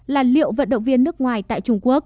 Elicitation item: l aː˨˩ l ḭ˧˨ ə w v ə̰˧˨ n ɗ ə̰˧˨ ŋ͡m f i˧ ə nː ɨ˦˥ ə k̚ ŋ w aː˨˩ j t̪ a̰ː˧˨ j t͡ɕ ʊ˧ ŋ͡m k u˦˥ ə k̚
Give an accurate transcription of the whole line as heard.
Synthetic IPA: l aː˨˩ l ḭ˧˨ ə w v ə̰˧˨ n ɗ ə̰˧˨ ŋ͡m v i˧ ə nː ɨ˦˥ ə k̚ ŋ w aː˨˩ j t̪ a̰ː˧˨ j t͡ɕ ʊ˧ ŋ͡m k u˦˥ ə k̚

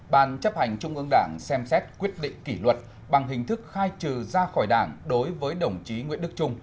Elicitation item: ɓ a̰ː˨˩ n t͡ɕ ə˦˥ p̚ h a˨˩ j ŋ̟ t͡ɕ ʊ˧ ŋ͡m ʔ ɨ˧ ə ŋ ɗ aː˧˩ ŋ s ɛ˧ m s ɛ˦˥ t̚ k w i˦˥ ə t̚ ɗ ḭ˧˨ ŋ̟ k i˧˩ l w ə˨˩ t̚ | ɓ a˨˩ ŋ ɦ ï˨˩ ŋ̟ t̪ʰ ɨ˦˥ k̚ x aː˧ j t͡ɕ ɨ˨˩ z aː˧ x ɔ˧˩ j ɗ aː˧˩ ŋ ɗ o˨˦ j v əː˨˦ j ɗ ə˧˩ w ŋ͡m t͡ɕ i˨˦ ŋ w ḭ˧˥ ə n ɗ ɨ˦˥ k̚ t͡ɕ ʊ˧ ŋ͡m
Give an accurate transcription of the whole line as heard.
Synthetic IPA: ɓ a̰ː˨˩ n t͡ɕ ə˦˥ p̚ h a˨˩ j ŋ̟ t͡ɕ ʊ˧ ŋ͡m ʔ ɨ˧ ə ŋ ɗ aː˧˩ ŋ s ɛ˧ m s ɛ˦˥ t̚ k w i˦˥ ə t̚ ɗ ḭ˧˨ ŋ̟ k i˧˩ l w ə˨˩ t̚ | ɓ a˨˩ ŋ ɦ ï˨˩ ŋ̟ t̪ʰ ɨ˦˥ k̚ x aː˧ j t͡ɕ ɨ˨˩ z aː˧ x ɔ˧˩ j ɗ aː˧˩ ŋ ɗ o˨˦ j v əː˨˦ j ɗ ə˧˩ w ŋ͡m t͡ɕ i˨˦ ŋ w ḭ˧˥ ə n ɗ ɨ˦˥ k̚ t͡ɕ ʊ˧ ŋ͡m

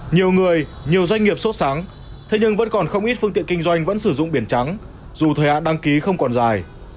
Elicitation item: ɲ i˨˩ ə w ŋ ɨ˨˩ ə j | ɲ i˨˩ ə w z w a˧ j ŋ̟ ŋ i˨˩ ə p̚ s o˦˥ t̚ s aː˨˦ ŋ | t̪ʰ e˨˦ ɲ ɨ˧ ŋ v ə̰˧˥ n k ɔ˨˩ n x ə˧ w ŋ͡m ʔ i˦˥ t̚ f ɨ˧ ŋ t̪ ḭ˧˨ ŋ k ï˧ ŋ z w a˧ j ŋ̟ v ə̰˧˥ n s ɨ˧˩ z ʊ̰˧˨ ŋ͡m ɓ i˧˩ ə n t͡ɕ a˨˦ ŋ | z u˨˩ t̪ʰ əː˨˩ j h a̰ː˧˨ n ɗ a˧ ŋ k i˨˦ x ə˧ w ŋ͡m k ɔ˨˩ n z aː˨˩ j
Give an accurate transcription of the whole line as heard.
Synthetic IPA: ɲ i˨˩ ə w ŋ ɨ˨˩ ə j | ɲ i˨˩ ə w z w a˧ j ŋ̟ ŋ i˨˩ ə p̚ s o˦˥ t̚ s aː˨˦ ŋ | t̪ʰ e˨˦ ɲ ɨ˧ ŋ v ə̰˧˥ n k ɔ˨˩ n x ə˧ w ŋ͡m ʔ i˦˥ t̚ f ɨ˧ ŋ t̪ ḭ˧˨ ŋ k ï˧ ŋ z w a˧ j ŋ̟ v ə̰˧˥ n s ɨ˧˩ z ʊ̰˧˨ ŋ͡m ɓ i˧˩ ə n t͡ɕ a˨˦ ŋ | z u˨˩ t̪ʰ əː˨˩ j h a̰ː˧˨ n ɗ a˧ ŋ k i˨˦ x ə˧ w ŋ͡m k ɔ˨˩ n z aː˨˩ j

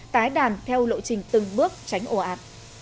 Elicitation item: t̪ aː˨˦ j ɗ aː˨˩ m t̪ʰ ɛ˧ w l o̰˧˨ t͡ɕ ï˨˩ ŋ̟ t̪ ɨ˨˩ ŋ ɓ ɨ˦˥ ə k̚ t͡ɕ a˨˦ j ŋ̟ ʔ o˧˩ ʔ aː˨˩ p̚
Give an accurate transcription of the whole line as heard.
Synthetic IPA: t̪ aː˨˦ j ɗ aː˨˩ n t̪ʰ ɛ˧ w l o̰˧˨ t͡ɕ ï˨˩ ŋ̟ t̪ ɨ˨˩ ŋ ɓ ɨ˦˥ ə k̚ t͡ɕ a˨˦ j ŋ̟ ʔ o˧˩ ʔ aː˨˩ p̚

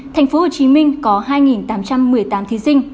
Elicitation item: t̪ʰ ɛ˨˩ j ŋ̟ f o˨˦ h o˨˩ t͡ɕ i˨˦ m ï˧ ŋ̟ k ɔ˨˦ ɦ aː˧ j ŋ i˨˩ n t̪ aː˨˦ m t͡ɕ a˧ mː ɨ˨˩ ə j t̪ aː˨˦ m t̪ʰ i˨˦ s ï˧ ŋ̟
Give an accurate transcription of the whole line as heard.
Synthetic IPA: t̪ʰ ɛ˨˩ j ŋ̟ f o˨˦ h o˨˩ t͡ɕ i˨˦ m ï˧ ŋ̟ k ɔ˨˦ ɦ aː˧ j ŋ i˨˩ n t̪ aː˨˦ m t͡ɕ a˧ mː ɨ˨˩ ə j t̪ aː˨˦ m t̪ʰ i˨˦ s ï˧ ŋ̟

